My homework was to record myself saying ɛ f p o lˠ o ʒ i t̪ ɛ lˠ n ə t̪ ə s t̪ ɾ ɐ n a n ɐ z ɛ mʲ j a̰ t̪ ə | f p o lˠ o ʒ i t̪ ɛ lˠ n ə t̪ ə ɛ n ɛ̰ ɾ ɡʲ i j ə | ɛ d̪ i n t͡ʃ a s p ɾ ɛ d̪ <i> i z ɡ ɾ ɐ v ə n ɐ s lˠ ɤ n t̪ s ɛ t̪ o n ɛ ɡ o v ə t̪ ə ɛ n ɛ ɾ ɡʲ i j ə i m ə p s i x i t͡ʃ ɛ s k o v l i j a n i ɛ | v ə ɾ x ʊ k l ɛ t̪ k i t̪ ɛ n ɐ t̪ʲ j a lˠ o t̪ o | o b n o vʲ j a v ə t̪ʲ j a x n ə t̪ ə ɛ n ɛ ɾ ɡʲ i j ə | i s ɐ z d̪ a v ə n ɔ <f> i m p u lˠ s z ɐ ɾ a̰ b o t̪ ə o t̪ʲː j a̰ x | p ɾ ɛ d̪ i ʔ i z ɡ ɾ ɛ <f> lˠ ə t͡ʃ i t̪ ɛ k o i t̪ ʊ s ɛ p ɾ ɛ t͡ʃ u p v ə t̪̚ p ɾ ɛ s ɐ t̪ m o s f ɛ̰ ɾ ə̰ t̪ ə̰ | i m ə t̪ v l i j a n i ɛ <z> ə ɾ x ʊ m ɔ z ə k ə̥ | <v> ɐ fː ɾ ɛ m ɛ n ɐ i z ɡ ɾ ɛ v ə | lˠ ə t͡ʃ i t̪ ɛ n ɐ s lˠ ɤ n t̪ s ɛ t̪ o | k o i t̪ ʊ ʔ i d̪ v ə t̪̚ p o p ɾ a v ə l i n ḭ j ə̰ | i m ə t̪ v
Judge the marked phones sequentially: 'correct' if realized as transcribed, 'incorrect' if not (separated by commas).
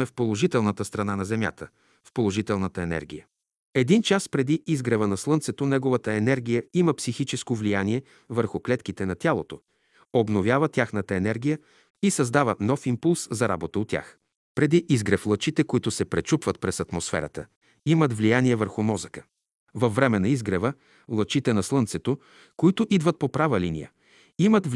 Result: correct, correct, correct, incorrect, correct